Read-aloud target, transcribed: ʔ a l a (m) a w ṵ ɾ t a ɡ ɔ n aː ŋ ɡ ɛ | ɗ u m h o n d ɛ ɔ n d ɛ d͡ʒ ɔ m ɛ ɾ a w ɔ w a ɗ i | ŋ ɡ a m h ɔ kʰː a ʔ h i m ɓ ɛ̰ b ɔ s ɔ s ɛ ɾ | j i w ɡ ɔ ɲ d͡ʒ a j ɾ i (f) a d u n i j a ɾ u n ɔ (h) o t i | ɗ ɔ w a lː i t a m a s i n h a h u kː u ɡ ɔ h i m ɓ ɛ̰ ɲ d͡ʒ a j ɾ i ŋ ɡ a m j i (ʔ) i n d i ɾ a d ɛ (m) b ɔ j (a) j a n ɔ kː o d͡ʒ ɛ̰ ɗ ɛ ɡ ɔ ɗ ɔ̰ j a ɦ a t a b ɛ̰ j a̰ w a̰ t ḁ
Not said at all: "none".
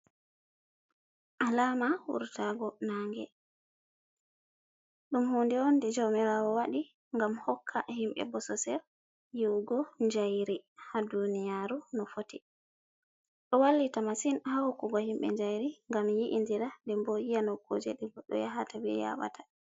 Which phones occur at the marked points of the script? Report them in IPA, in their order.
m, h, f, ʔ, m, i

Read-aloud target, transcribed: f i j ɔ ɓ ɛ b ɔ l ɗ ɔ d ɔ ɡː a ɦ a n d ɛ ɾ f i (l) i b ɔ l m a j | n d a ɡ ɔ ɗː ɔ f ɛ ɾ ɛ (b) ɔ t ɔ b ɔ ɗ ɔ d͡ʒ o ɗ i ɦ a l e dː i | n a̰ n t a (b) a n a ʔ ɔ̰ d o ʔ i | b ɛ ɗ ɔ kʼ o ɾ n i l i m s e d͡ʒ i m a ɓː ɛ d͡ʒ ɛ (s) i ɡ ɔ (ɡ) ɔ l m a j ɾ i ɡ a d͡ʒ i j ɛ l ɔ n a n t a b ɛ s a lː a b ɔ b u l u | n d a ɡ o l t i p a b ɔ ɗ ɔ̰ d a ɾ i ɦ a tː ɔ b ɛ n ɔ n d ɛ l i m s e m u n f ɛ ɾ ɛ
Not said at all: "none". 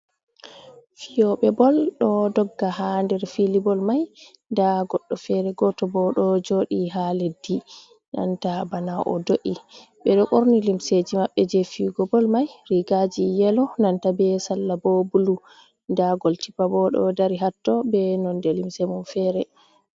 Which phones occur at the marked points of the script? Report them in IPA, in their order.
l, ɡ, b, f, b

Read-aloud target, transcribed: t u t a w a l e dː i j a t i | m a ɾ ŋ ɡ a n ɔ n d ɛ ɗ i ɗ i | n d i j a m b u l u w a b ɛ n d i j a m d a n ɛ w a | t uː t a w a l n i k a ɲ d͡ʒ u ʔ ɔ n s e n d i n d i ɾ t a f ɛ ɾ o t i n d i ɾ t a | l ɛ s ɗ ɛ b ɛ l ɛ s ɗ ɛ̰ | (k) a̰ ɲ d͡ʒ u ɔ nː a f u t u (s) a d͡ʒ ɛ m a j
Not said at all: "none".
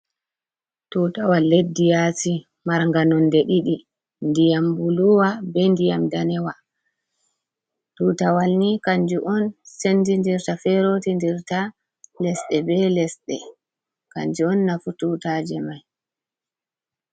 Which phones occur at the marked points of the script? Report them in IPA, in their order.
k, t

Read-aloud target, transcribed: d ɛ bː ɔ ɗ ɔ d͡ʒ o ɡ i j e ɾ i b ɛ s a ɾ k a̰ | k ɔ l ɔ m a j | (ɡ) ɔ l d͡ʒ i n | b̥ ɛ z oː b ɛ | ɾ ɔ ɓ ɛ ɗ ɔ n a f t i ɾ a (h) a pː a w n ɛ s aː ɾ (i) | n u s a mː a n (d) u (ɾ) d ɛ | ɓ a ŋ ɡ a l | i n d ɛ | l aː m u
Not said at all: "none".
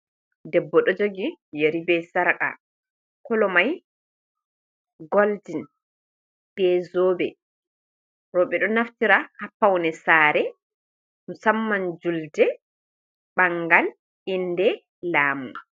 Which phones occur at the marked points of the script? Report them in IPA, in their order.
ɡ, h, ɛ, d͡ʒ, l

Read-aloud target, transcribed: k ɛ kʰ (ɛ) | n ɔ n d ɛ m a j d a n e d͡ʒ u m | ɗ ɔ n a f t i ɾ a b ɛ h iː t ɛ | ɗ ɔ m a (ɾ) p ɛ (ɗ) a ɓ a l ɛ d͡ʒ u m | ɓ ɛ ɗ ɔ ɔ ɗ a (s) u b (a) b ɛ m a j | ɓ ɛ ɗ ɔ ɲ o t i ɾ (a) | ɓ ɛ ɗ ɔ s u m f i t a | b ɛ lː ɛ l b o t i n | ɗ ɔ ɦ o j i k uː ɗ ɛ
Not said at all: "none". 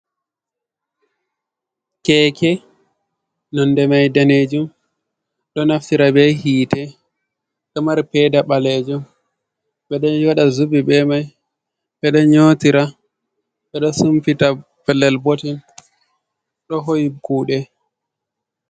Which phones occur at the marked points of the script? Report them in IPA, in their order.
ɛ, ɾ, d, z, i, a

